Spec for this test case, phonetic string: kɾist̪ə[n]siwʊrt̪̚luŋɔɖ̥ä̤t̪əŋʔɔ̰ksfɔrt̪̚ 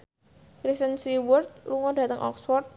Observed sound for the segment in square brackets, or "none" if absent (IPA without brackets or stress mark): n